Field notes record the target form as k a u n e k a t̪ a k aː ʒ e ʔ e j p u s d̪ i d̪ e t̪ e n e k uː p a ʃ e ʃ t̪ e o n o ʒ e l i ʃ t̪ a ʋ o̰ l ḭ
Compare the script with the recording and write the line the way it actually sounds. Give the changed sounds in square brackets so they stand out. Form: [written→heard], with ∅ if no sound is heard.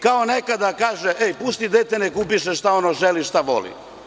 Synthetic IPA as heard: k a [u→o] n e k a [t̪→d̪] a k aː ʒ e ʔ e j p u s [d̪→t̪] i d̪ e t̪ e n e k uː p [a→i] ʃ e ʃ t̪ [e→a] o n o ʒ e l i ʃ t̪ a ʋ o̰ l ḭ